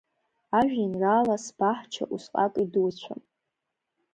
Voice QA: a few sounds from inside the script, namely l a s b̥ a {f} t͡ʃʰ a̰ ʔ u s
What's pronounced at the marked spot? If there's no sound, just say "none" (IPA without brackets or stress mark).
ħ